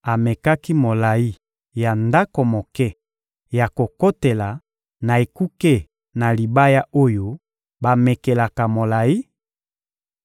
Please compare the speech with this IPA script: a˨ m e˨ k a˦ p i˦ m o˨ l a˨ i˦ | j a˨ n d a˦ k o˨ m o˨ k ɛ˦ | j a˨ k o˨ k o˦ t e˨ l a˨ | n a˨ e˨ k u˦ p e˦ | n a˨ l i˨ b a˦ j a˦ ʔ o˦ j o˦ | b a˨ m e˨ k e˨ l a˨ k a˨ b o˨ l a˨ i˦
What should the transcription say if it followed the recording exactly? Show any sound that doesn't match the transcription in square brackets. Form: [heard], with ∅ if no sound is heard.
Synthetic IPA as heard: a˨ m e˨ k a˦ [k] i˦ m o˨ l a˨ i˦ | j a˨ n d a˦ k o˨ m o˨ k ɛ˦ | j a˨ k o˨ k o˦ t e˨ l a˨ | n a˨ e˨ k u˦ [k] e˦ | n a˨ l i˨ b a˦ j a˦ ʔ o˦ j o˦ | b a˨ m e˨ k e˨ l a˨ k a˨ [m] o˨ l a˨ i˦